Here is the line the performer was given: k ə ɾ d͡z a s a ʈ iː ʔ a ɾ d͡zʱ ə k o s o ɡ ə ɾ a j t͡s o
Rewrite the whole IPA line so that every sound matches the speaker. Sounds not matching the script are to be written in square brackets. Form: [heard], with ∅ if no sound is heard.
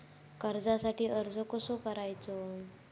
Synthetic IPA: k ə ɾ d͡z a s a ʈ iː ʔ [ə] ɾ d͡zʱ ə k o s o [k] ə ɾ a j t͡s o